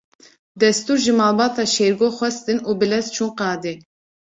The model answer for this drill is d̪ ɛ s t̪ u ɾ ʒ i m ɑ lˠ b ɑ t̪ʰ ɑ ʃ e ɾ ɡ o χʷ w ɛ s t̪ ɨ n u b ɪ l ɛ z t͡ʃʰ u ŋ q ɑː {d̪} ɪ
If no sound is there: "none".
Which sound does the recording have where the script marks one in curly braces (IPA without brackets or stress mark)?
d̪